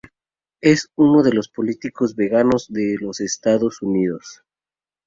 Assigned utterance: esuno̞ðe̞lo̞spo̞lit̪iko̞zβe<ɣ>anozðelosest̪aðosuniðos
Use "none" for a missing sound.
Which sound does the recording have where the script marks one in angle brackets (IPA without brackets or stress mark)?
ɣ